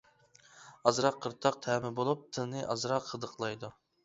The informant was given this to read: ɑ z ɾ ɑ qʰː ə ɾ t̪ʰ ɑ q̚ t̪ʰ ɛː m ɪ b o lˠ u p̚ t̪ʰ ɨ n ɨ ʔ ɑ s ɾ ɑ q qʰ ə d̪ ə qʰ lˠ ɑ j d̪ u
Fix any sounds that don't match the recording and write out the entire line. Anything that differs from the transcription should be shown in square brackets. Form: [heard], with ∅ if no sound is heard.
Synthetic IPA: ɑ z ɾ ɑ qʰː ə ɾ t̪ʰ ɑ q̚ t̪ʰ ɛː m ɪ b o lˠ u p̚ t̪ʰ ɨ n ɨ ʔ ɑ [z] ɾ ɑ q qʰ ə d̪ ə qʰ lˠ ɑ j d̪ u